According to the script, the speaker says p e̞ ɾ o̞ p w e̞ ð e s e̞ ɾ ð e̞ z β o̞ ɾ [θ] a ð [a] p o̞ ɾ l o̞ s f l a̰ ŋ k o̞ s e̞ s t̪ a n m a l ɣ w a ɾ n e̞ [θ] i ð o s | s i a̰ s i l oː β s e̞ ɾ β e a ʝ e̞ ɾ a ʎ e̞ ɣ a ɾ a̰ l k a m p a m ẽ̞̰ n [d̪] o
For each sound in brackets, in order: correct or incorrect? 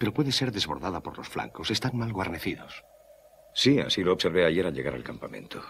incorrect, correct, correct, incorrect

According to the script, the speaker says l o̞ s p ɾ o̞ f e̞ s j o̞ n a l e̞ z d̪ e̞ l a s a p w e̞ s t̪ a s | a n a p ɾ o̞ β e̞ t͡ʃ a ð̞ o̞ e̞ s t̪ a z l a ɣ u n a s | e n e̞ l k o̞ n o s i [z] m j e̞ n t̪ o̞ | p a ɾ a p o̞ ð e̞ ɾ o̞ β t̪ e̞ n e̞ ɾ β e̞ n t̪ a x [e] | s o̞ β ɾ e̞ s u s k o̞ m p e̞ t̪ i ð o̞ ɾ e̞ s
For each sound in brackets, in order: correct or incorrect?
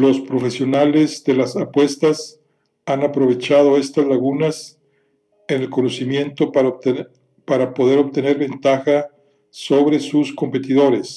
incorrect, incorrect

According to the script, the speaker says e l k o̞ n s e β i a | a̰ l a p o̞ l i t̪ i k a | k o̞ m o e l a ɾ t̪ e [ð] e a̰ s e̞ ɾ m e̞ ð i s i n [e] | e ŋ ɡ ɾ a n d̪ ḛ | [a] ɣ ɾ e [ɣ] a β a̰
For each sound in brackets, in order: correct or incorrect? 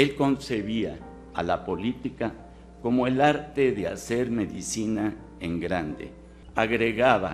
correct, incorrect, correct, correct

